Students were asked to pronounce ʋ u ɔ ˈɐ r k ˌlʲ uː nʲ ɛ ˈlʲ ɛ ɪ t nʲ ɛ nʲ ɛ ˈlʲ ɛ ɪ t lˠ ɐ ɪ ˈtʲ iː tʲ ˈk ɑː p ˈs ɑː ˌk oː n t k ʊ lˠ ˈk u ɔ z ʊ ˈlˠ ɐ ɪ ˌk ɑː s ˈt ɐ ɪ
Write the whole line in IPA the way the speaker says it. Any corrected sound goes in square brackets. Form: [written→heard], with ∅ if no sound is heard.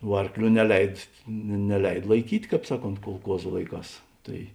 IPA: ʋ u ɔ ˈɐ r k ˌlʲ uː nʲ ɛ ˈlʲ ɛ ɪ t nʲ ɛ nʲ ɛ ˈlʲ ɛ ɪ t lˠ ɐ ɪ [ˈtʲ→ˈkʲ] iː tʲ ˈk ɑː p ˈs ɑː ˌk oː n t k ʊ lˠ ˈk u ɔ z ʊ ˈlˠ ɐ ɪ ˌk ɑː s ˈt ɐ ɪ